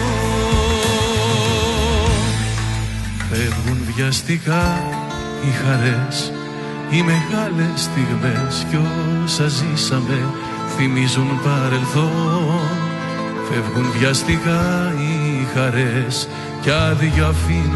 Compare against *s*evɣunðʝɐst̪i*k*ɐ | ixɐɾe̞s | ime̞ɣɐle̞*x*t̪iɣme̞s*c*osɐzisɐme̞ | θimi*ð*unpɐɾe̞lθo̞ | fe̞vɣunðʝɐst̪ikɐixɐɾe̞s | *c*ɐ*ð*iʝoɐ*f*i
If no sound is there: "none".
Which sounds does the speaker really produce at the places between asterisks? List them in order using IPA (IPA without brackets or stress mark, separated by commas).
f, k, s, c, z, c, ð, f